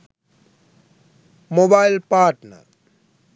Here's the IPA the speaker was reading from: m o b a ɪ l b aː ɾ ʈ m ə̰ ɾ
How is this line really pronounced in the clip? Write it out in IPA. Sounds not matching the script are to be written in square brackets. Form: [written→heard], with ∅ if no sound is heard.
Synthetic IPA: m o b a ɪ l [b→p] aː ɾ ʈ [m→n] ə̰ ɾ